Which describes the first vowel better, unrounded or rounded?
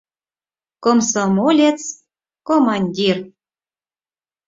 rounded